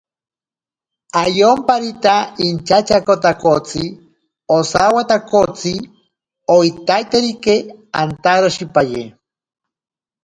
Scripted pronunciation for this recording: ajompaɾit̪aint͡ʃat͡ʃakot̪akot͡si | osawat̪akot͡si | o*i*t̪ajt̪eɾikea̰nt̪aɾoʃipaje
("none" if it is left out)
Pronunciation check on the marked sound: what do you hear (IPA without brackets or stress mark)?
i